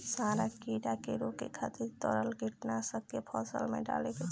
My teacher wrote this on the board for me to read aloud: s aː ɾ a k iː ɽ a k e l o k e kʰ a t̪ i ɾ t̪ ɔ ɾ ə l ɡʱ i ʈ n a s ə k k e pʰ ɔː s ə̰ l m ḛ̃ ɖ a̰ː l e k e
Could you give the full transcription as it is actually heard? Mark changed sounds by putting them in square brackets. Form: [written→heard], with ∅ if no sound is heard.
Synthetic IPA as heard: s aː ɾ a k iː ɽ a k e [l→ɾ] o k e kʰ a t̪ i ɾ t̪ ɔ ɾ ə l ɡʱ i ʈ n a s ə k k e pʰ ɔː s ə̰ l m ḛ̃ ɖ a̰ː l e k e